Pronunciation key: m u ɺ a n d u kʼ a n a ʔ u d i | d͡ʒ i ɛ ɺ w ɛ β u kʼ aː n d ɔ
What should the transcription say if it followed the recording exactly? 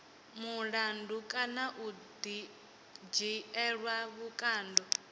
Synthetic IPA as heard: m u ɺ a n d u kʼ a n a ʔ u d i | d͡ʒ i ɛ ɺ w a β u kʼ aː n d ɔ